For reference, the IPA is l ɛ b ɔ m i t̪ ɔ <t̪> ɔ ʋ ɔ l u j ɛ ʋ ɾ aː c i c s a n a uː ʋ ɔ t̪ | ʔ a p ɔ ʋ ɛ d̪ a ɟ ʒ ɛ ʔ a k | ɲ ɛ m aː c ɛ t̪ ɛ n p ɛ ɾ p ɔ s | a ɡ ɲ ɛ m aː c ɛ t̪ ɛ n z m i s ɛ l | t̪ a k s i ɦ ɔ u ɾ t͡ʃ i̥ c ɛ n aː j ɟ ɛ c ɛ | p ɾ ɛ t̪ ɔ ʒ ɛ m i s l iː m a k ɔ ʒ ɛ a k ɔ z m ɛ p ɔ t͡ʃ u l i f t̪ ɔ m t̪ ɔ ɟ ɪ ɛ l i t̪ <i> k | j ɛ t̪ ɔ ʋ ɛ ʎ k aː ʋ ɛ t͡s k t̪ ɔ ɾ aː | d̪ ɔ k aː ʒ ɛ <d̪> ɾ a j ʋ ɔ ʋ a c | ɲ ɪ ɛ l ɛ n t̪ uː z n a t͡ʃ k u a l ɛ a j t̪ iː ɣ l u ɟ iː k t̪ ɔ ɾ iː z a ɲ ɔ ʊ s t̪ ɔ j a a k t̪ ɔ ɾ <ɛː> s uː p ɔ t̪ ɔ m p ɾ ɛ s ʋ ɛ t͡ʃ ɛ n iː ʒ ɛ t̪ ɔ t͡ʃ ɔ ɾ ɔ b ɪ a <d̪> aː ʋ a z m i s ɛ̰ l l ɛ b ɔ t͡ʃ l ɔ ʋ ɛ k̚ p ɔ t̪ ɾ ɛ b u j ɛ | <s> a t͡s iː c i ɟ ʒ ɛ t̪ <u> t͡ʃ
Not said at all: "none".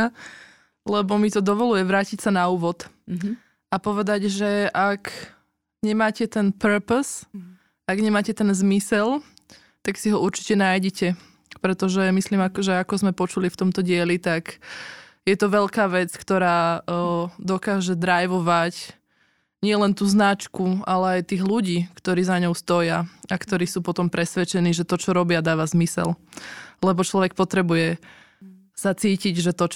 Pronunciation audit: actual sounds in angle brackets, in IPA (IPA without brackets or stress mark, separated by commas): d̪, a, d̪, iː, d̪, s, ɔ